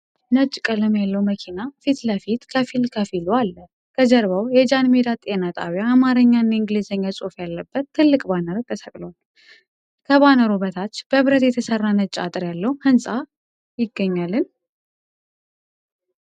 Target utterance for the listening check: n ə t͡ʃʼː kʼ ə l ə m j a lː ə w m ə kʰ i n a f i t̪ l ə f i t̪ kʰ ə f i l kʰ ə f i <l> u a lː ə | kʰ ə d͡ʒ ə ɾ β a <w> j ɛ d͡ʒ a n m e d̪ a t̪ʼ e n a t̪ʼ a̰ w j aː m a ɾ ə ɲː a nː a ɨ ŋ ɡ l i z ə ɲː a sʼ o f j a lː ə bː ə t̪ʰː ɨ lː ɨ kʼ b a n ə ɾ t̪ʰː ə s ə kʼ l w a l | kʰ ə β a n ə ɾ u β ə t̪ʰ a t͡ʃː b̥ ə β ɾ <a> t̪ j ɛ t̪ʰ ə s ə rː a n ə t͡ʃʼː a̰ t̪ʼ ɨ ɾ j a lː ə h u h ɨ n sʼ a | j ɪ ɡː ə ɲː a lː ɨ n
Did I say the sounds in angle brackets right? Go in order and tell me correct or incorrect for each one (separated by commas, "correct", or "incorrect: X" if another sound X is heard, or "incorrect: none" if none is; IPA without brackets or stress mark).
correct, correct, incorrect: ə